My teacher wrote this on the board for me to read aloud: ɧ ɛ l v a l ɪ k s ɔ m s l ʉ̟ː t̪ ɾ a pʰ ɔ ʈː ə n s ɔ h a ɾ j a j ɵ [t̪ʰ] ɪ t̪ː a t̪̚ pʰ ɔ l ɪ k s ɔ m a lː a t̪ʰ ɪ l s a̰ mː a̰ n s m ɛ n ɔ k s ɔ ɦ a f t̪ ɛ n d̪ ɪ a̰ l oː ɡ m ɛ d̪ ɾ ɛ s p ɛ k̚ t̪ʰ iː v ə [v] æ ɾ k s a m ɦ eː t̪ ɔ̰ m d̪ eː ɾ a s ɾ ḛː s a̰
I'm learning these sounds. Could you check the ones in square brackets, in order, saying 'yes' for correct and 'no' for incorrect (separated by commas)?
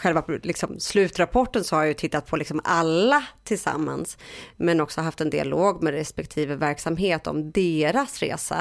yes, yes